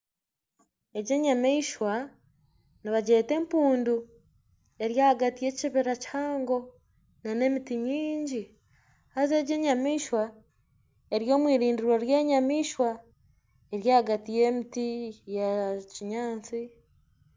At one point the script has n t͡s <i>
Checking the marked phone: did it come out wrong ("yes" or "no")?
no